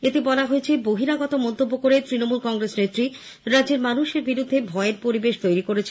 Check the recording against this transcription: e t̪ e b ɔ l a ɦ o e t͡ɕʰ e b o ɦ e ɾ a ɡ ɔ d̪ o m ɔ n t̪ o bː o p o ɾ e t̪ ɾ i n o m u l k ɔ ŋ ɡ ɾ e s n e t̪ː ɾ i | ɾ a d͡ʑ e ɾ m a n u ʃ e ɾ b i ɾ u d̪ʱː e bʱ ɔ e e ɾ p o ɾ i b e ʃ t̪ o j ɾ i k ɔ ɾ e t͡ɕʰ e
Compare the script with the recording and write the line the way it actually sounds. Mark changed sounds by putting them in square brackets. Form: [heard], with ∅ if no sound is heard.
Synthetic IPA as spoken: e t̪ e b ɔ l a ɦ o e t͡ɕʰ e b o ɦ [i] ɾ a ɡ ɔ [t̪] o m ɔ n t̪ o bː o [k] o ɾ e t̪ ɾ i n o m u l k ɔ ŋ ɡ ɾ e s n e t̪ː ɾ i | ɾ a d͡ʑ e ɾ m a n u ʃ e ɾ b i ɾ u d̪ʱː e bʱ ɔ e e ɾ p o ɾ i b e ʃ t̪ o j ɾ i k [o] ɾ e t͡ɕʰ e